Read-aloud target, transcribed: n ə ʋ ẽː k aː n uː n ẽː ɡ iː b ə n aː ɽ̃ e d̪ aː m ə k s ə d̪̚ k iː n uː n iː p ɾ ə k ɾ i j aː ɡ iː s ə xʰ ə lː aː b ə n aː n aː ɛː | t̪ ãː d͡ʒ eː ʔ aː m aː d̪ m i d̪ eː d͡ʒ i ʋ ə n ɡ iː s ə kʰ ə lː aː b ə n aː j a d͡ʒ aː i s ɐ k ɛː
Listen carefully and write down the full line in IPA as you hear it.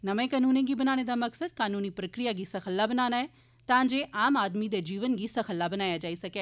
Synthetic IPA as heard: n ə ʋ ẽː k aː n uː n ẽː ɡ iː b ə n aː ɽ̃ e d̪ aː m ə k s ə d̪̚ k aː n uː n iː p ɾ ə k ɾ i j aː ɡ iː s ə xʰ ə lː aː b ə n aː n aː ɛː | t̪ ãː d͡ʒ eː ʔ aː m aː d̪ m i d̪ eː d͡ʒ iː ʋ ə n ɡ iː s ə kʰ ə lː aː b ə n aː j a d͡ʒ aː i s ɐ k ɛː